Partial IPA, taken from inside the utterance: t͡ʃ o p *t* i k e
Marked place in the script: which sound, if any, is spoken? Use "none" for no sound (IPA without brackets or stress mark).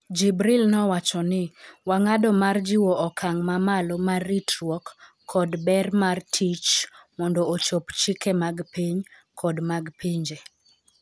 t͡ʃ